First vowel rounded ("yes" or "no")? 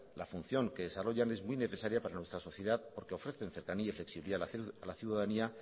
no